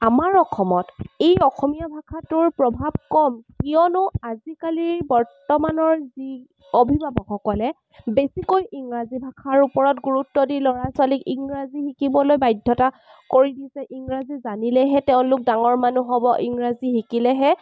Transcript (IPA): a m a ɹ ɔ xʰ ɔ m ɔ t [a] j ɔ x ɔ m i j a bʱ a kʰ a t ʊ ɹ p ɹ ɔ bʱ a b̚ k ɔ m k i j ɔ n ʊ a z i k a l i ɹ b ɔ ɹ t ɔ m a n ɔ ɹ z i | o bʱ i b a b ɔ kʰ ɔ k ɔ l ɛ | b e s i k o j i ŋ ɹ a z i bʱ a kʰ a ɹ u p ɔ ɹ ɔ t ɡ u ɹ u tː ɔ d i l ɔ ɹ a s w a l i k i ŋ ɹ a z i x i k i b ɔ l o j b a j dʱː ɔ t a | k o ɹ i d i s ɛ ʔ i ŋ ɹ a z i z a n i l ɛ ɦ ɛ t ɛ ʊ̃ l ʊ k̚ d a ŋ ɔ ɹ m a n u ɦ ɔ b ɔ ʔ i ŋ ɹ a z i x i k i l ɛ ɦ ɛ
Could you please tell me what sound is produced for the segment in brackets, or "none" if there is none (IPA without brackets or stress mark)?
e